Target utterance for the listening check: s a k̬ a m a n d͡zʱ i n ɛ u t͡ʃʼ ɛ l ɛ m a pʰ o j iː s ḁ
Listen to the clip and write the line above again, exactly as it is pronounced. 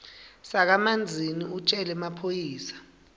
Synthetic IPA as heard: s a k̬ a m a n d͡zʱ i n i u t͡ʃʼ ɛ l ɛ m a pʰ o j iː s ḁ

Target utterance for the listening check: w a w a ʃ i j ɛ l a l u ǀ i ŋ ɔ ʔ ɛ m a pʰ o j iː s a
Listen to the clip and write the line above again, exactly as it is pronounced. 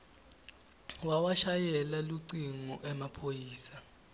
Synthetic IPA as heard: w a w a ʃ a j ɛ l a l u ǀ i ŋ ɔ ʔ ɛ m a pʰ o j iː s a

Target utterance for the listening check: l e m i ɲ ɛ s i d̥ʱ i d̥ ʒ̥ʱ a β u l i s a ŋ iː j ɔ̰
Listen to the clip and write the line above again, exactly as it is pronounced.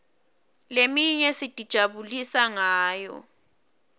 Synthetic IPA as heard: l e m i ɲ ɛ s i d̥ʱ i d̥ ʒ̥ʱ a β u l i s a ŋ aː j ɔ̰

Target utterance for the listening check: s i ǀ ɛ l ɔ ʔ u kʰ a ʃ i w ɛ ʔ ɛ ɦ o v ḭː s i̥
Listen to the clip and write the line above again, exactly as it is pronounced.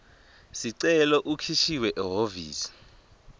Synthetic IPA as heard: s i ǀ ɛ l ɔ ʔ u kʰ i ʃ i w ɛ ʔ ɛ ɦ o v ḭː s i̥

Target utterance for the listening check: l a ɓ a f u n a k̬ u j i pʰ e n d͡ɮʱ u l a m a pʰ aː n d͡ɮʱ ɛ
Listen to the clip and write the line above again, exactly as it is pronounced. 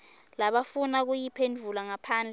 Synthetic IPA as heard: l a ɓ a f u n a k̬ u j i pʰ e n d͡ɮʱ u l a ŋ a pʰ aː n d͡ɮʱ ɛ

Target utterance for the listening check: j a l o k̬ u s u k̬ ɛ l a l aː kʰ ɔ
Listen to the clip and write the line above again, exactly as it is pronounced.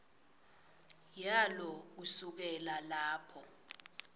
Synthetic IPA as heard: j a l ɔ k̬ u s u k̬ ɛ l a l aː pʰ ɔ

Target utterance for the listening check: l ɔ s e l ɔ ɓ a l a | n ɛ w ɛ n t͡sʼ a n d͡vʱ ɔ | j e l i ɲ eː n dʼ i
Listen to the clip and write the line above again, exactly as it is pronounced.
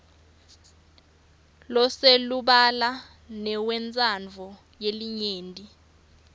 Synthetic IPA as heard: l ɔ s e l u ɓ a l a | n ɛ w ɛ n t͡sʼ a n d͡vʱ ɔ | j e l i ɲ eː n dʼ i

